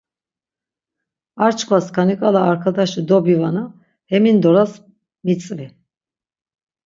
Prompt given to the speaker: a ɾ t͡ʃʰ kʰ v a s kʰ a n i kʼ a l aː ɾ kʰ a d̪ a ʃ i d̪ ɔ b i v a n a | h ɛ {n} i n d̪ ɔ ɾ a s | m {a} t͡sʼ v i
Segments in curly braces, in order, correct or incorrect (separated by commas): incorrect, incorrect